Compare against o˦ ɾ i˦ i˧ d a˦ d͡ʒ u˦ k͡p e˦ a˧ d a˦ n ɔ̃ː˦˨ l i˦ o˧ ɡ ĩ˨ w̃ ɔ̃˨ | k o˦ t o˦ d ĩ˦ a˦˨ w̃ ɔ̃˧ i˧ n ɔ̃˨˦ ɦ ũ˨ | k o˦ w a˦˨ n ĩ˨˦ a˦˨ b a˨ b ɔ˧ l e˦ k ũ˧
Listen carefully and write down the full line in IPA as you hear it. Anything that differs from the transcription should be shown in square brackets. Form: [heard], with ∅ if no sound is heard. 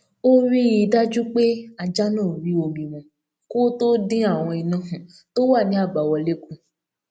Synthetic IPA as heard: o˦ ɾ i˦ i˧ d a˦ d͡ʒ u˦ k͡p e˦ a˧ [d͡ʒ] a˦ n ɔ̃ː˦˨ [ɾ] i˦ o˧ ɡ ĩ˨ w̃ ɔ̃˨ | k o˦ t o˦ d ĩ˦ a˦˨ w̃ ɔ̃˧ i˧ n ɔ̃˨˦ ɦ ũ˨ | [t] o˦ w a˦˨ n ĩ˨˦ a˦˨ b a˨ [w] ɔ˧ l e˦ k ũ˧